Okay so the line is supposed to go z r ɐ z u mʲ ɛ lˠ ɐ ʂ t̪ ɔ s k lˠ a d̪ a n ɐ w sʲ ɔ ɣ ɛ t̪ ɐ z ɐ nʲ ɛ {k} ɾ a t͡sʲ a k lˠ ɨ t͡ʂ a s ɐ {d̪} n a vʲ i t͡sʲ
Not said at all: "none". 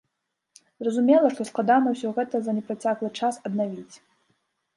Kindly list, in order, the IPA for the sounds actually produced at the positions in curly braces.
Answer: p, d̪

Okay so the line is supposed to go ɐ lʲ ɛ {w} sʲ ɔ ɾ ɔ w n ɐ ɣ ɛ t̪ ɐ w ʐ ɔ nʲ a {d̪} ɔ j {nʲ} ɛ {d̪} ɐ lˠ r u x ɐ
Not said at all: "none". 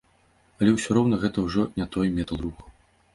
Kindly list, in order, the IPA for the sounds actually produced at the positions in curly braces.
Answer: w, t̪, mʲ, t̪

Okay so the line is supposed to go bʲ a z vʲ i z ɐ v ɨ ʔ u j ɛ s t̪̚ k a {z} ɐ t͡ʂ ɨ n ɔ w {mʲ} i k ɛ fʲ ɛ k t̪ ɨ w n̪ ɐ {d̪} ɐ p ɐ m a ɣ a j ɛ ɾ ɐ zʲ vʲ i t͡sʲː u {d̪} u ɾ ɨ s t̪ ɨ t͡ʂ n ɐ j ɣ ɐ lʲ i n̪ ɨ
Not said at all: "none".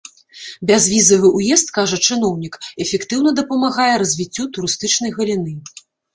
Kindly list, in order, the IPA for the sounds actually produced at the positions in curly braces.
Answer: ʐ, nʲ, d̪, t̪

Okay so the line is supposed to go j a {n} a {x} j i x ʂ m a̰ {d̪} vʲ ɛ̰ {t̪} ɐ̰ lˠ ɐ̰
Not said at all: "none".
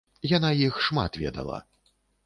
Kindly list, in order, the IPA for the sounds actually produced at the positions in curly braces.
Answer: n, none, t̪, d̪

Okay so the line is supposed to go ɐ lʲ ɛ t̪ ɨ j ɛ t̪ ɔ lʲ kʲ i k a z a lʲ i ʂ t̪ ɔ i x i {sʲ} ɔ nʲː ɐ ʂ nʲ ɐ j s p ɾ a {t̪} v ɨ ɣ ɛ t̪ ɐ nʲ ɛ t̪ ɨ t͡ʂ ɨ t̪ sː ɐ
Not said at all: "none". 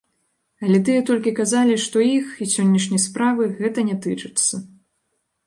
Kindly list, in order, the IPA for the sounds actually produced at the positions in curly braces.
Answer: sʲ, none

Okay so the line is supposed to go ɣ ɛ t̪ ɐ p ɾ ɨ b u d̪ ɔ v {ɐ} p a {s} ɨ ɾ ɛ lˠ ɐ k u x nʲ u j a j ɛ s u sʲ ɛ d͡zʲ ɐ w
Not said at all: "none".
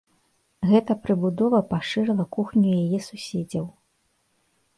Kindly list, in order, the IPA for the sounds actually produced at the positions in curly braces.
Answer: ɐ, ʂ

